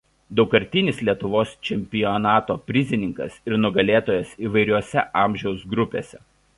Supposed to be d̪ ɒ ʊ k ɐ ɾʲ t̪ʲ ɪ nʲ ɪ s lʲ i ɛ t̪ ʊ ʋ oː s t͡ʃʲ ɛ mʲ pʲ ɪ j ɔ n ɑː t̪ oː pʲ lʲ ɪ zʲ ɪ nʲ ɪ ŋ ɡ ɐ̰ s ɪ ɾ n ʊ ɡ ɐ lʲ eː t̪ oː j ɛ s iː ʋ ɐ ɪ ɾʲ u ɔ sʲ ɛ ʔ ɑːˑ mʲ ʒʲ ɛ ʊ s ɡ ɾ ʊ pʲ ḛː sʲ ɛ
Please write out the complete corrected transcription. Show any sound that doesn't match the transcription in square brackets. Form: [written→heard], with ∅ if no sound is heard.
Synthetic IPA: d̪ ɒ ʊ k ɐ ɾʲ t̪ʲ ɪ nʲ ɪ s lʲ i ɛ t̪ ʊ ʋ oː s t͡ʃʲ ɛ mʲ pʲ ɪ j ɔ n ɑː t̪ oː pʲ [lʲ→ɾʲ] ɪ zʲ ɪ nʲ ɪ ŋ [ɡ→k] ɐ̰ s ɪ ɾ n ʊ ɡ ɐ lʲ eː t̪ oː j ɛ s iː ʋ ɐ ɪ ɾʲ u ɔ sʲ ɛ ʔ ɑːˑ mʲ ʒʲ ɛ ʊ s ɡ ɾ ʊ pʲ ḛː sʲ ɛ

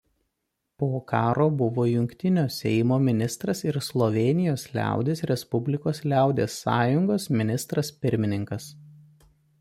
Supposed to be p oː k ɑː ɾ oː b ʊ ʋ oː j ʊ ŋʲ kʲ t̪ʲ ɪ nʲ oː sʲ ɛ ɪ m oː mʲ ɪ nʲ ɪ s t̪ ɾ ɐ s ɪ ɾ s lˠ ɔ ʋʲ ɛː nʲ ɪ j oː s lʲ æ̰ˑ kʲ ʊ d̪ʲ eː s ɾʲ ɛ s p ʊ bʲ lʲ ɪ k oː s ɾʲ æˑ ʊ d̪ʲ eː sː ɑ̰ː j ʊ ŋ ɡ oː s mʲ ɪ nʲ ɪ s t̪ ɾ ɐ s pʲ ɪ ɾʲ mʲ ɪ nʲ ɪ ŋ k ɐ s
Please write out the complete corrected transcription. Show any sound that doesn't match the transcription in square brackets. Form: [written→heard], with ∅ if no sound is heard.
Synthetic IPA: p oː k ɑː ɾ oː b ʊ ʋ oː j ʊ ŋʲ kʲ t̪ʲ ɪ nʲ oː sʲ ɛ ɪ m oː mʲ ɪ nʲ ɪ s t̪ ɾ ɐ s ɪ ɾ s lˠ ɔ ʋʲ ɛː nʲ ɪ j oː s lʲ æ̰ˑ [kʲ→∅] ʊ d̪ʲ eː s ɾʲ ɛ s p ʊ bʲ lʲ ɪ k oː s [ɾʲ→lʲ] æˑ ʊ d̪ʲ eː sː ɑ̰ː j ʊ ŋ ɡ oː s mʲ ɪ nʲ ɪ s t̪ ɾ ɐ s pʲ ɪ ɾʲ mʲ ɪ nʲ ɪ ŋ k ɐ s

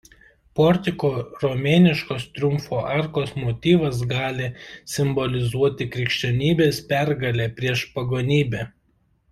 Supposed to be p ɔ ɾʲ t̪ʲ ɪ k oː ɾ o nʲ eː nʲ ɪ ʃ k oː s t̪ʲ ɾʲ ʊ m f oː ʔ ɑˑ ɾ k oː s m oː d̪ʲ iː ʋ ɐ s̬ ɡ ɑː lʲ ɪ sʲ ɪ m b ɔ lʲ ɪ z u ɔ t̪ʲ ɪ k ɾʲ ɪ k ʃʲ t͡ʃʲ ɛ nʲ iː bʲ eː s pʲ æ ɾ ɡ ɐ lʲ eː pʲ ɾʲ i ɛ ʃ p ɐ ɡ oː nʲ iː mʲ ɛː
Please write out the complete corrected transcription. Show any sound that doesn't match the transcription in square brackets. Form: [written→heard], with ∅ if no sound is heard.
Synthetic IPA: p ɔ ɾʲ t̪ʲ ɪ k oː ɾ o [nʲ→mʲ] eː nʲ ɪ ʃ k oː s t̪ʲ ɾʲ ʊ m f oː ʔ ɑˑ ɾ k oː s m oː [d̪ʲ→t̪ʲ] iː ʋ ɐ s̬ ɡ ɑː lʲ ɪ sʲ ɪ m b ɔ lʲ ɪ z u ɔ t̪ʲ ɪ k ɾʲ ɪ k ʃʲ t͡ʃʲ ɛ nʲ iː bʲ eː s pʲ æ ɾ ɡ ɐ lʲ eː pʲ ɾʲ i ɛ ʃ p ɐ ɡ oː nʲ iː [mʲ→bʲ] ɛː

